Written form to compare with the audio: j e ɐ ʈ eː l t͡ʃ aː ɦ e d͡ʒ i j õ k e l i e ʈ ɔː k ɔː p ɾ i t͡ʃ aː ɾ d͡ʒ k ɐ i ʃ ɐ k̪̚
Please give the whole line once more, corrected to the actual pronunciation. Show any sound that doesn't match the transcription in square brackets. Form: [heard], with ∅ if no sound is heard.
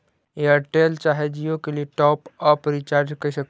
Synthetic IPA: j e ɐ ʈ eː l t͡ʃ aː ɦ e d͡ʒ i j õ k e l i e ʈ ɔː [p] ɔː p ɾ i t͡ʃ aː ɾ d͡ʒ k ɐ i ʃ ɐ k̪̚

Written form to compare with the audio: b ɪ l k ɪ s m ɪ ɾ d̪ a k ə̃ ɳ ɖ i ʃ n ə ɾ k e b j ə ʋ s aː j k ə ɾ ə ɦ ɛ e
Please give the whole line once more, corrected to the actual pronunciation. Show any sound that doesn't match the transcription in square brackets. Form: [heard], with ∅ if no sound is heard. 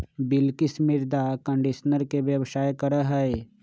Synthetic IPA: b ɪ l k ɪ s m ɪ ɾ d̪ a k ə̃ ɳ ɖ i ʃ n ə ɾ k e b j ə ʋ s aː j k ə ɾ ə ɦ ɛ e

